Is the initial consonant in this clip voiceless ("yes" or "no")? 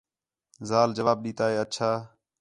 no